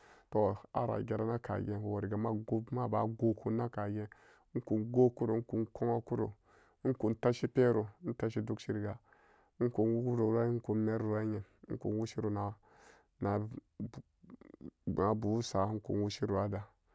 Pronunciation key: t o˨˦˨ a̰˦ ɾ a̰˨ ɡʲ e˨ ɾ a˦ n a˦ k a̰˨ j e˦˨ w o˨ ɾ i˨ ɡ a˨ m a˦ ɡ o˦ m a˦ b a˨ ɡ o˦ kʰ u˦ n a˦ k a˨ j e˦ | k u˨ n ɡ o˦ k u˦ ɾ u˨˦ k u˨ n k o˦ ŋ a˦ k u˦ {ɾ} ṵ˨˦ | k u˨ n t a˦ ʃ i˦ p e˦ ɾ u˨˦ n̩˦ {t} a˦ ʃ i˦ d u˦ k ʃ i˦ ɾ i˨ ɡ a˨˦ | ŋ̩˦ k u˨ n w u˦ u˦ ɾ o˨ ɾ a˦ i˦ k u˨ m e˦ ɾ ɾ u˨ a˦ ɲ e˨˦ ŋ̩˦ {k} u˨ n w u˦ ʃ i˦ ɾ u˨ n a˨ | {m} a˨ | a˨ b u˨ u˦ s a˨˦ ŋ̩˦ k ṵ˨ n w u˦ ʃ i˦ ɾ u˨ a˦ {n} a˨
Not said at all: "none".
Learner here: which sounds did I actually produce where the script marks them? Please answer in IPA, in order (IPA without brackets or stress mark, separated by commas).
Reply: ɾ, t, k, n, d